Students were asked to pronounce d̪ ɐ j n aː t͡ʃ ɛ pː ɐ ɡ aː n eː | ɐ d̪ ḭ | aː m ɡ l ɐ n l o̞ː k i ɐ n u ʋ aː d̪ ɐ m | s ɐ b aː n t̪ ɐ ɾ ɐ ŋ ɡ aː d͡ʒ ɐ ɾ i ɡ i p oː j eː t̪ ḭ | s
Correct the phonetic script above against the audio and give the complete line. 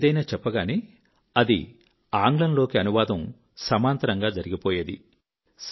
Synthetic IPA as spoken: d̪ ɐ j n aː t͡ʃ ɛ pː ɐ ɡ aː n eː | ɐ d̪ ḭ | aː ŋ ɡ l ɐ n l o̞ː k i ɐ n u ʋ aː d̪ ɐ m | s ɐ m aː n t̪ ɐ ɾ ɐ ŋ ɡ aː d͡ʒ ɐ ɾ i ɡ i p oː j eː d̪ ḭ | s